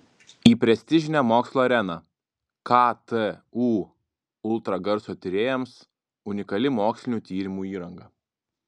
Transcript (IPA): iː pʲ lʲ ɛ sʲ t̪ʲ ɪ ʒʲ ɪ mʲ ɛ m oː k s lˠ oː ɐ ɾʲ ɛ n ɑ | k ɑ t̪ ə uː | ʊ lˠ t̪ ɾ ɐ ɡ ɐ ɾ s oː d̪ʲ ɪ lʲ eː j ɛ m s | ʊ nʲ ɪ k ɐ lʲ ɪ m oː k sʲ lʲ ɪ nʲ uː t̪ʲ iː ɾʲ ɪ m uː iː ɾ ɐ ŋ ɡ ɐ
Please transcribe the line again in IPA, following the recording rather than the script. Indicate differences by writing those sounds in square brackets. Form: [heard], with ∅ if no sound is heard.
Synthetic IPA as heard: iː pʲ [ɾʲ] ɛ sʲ t̪ʲ ɪ ʒʲ ɪ [nʲ] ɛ m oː k s lˠ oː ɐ ɾʲ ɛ n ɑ | k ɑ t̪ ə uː | ʊ lˠ t̪ ɾ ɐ ɡ ɐ ɾ s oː [t̪ʲ] ɪ [ɾʲ] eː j ɛ m s | ʊ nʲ ɪ k ɐ lʲ ɪ m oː k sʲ lʲ ɪ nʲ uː t̪ʲ iː ɾʲ ɪ m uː iː ɾ ɐ ŋ ɡ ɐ